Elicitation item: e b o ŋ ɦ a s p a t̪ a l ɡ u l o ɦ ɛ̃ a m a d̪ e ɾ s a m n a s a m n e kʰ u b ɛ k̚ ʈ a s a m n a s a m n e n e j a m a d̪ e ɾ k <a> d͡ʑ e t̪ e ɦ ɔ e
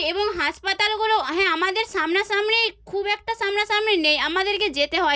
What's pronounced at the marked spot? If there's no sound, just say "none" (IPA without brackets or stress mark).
e